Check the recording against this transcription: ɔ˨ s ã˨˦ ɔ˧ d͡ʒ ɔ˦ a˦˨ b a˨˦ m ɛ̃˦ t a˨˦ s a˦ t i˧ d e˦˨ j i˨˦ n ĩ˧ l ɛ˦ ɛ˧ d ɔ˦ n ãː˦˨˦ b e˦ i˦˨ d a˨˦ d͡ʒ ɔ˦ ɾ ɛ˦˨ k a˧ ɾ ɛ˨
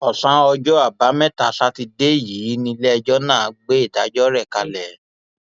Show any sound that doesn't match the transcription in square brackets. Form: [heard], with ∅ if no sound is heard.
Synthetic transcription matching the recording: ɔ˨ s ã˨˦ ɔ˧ d͡ʒ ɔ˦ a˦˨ b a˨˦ m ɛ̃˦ t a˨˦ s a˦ t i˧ d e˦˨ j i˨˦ n ĩ˧ l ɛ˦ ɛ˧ [d͡ʒ] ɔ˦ n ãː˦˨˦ [ɡ͡b] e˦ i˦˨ d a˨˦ d͡ʒ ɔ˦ ɾ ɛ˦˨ k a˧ [l] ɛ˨